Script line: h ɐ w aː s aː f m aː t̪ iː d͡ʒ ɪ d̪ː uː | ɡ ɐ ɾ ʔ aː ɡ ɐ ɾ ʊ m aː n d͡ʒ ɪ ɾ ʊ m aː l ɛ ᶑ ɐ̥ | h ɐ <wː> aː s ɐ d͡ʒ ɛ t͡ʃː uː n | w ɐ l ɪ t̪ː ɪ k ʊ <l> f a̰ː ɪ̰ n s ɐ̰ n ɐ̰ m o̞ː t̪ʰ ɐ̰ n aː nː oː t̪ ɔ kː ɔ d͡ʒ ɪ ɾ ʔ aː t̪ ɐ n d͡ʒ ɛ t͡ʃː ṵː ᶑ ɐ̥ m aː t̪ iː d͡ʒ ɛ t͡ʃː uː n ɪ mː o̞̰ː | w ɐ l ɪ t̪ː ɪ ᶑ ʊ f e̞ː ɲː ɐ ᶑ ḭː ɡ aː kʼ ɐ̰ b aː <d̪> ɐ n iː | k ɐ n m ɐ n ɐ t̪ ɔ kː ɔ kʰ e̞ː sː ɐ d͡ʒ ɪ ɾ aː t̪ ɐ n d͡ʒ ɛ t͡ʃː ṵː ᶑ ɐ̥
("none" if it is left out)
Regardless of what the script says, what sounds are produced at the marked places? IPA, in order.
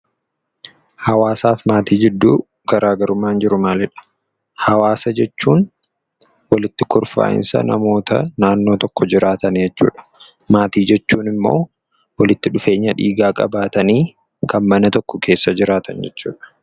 w, ɾ, t̪

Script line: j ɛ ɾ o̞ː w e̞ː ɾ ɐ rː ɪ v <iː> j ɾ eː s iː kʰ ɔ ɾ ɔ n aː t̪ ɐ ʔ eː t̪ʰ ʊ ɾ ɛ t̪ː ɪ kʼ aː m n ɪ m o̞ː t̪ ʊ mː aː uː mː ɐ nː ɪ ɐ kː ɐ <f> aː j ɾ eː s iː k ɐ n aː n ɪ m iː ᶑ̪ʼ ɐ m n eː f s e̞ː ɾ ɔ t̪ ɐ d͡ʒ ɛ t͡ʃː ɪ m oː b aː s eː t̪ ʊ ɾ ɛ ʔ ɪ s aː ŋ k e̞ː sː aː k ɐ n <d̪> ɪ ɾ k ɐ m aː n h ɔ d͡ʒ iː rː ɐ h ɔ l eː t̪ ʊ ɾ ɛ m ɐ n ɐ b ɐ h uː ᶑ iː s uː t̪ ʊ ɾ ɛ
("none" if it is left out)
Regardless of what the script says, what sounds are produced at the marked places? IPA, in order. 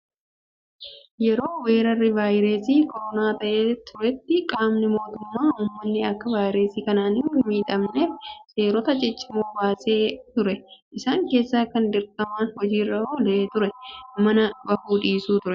aː, v, d̪

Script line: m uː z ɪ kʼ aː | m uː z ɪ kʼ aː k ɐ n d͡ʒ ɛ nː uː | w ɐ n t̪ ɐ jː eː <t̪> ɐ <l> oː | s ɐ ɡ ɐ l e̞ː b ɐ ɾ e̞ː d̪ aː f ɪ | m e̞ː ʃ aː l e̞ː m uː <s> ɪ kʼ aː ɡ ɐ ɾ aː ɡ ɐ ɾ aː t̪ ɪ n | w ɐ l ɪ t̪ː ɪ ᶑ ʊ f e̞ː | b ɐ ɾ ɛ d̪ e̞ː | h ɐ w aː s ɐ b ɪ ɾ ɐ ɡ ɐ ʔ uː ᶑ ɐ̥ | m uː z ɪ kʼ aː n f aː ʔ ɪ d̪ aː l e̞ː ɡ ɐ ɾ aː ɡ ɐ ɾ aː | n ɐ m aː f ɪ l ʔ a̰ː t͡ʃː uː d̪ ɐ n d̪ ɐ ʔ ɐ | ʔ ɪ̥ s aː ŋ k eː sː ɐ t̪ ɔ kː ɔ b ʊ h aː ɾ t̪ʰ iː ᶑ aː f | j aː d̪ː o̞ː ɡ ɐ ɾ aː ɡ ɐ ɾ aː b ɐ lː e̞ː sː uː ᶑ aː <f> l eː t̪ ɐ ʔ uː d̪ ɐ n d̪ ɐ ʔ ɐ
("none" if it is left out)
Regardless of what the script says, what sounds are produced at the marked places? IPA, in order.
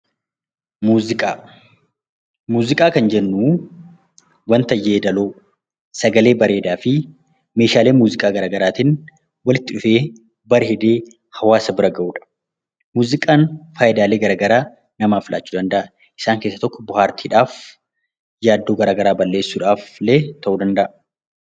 d̪, l, z, f

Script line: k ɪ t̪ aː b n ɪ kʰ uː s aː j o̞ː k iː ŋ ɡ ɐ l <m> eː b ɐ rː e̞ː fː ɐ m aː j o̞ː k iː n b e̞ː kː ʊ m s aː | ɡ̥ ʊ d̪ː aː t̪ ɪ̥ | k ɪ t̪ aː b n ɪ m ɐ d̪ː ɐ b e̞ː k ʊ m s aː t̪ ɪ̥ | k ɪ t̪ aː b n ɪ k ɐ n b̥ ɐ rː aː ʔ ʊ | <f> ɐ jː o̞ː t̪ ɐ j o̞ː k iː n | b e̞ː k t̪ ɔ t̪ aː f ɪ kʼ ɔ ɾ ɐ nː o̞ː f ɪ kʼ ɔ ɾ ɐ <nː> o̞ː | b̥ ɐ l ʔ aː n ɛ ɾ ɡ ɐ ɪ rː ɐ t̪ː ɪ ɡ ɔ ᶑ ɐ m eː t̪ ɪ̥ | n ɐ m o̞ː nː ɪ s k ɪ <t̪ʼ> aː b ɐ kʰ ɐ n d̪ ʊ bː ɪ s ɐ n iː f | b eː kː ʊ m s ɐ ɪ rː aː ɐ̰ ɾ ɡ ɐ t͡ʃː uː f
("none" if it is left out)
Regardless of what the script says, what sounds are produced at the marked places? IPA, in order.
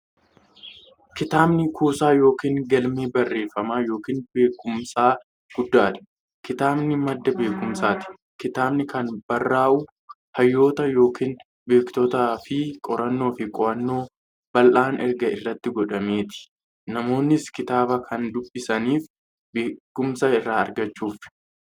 m, h, nː, t̪

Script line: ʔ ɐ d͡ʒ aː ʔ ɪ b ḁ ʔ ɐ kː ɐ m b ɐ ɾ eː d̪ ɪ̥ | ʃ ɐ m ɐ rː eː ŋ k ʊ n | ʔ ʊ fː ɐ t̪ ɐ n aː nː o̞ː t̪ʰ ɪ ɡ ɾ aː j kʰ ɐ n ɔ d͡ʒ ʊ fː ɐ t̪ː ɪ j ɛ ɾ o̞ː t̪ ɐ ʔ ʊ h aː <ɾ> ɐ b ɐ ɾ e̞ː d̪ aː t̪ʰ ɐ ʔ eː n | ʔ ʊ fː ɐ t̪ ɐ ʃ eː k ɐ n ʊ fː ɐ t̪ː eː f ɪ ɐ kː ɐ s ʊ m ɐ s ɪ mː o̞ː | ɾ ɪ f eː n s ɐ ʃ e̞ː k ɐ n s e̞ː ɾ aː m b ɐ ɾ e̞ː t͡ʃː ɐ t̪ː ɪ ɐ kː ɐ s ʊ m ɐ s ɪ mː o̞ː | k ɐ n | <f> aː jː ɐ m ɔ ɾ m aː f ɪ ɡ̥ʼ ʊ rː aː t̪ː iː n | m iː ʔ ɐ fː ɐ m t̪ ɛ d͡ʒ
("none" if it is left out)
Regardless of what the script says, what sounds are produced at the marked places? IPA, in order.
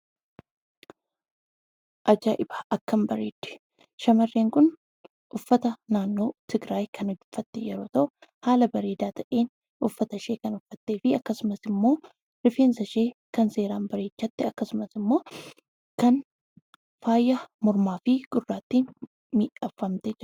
l, f

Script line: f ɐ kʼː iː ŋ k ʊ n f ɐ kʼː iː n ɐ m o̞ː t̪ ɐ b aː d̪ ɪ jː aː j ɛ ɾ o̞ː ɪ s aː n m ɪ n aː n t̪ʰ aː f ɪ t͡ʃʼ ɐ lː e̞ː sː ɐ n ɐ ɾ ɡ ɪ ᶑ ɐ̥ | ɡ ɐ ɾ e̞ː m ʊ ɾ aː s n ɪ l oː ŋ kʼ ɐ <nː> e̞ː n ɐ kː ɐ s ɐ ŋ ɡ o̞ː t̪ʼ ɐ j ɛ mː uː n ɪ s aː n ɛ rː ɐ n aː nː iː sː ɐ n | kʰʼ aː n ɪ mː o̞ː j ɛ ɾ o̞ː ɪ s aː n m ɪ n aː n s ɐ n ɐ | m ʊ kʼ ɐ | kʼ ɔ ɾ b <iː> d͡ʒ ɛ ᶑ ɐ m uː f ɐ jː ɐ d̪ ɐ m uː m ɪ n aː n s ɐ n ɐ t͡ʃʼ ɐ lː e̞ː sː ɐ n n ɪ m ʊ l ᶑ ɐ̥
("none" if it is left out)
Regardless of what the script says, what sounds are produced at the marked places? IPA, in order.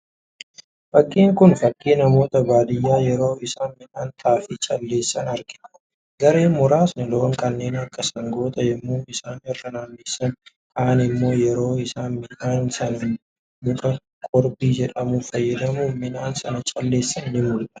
nː, iː

